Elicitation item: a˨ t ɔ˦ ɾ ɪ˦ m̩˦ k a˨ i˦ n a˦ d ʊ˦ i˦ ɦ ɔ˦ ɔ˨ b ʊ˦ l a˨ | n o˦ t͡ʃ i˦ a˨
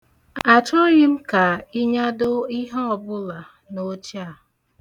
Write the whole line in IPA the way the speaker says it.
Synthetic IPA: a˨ t͡ʃ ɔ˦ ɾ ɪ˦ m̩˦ k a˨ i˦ ɲ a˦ d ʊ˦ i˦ ɦ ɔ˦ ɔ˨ b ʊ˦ l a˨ | n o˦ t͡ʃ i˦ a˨